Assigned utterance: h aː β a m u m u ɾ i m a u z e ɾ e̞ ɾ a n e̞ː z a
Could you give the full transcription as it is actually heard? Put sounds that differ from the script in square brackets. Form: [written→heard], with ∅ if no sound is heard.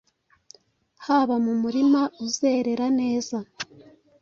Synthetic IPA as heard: h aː β a m u m u ɾ i m a u z e ɾ e̞ ɾ a n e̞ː z a